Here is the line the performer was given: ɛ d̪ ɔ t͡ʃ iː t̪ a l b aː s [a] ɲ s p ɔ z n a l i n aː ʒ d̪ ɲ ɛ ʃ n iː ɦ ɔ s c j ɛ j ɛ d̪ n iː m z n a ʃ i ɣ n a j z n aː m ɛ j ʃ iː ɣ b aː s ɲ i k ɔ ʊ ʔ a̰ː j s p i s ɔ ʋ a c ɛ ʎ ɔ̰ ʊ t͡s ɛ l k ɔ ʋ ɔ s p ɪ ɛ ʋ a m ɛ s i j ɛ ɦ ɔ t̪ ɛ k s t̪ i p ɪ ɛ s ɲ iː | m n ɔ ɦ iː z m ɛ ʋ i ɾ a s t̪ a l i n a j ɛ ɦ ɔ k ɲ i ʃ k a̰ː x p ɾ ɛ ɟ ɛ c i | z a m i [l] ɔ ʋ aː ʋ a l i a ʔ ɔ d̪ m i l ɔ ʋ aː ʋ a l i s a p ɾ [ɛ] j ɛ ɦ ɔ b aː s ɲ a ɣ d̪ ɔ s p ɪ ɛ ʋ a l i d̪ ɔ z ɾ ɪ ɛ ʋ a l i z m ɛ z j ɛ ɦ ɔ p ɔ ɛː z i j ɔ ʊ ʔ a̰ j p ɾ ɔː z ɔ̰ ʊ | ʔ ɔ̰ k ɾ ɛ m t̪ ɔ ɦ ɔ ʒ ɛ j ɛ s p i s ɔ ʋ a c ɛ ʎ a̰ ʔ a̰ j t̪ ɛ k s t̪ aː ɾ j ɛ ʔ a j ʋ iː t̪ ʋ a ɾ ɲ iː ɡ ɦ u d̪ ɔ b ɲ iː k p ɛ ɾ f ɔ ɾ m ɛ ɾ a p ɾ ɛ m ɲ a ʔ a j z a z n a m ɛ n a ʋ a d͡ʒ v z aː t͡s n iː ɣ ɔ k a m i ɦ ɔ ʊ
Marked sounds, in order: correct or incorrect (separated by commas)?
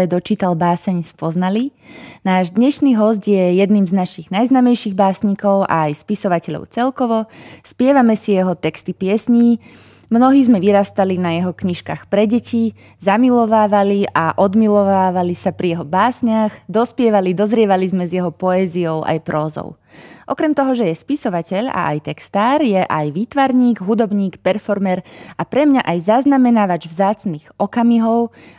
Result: incorrect, correct, incorrect